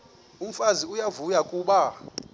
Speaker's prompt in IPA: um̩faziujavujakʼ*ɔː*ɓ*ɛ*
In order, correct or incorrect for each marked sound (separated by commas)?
incorrect, incorrect